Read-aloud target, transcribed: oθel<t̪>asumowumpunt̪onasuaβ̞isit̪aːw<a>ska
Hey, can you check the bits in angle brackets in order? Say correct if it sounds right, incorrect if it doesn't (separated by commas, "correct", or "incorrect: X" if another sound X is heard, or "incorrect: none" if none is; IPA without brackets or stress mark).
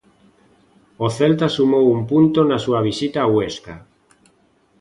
correct, incorrect: e